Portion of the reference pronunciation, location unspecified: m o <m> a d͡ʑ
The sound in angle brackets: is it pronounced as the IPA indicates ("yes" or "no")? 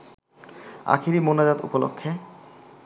no